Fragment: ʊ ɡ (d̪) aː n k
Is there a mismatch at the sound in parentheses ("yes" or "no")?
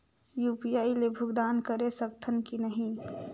no